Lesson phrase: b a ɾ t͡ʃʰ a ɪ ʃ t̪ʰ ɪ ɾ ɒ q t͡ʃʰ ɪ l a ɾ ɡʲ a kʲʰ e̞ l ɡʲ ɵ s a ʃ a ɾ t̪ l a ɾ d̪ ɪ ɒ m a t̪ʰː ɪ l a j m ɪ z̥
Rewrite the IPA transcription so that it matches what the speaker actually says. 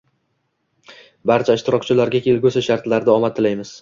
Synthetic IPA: b a ɾ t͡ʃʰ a ɪ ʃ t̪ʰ ɪ ɾ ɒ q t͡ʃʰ ɪ l a ɾ ɡʲ a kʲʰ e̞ l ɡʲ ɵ s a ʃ a ɾ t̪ l a ɾ d̪ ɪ ɒ m a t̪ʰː ɪ l a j m ɪ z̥